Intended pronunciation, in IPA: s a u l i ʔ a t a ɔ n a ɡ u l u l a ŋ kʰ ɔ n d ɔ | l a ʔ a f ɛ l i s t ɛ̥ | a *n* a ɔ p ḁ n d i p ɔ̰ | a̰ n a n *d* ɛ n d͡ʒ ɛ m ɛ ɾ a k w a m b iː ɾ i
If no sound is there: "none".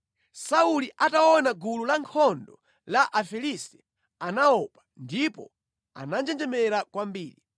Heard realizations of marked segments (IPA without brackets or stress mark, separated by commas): n, d͡ʒ